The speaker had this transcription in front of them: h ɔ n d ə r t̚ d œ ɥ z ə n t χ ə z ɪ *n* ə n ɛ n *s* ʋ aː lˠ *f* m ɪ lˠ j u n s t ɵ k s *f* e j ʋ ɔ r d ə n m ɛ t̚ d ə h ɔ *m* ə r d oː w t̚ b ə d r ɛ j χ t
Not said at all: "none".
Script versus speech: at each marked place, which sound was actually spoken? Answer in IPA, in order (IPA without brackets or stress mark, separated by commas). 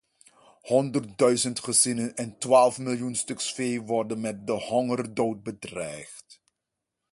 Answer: n, t, f, f, ŋ